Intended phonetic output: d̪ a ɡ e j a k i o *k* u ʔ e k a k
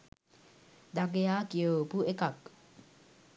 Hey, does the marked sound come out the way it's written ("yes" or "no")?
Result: no